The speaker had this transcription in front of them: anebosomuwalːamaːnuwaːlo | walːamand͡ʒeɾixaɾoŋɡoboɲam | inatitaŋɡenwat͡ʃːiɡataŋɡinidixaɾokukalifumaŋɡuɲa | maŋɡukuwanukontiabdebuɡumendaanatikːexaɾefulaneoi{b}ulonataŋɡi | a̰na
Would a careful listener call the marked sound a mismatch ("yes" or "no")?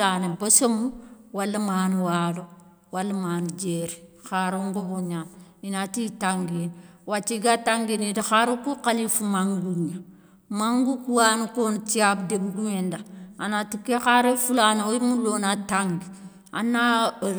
yes